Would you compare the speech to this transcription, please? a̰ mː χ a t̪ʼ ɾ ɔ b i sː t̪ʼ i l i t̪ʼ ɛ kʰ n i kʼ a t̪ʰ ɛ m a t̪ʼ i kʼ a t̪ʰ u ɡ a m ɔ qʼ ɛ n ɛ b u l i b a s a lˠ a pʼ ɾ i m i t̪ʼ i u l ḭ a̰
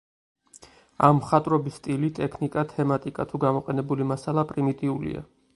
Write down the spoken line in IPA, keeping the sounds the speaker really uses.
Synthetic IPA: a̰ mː χ a t̪ʼ ɾ ɔ b i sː t̪ʼ i l i t̪ʼ ɛ kʰ n i kʼ a t̪ʰ ɛ m a t̪ʼ i kʼ a t̪ʰ u ɡ a m ɔ qʼ ɛ n ɛ b u l i m a s a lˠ a pʼ ɾ i m i t̪ʼ i u l ḭ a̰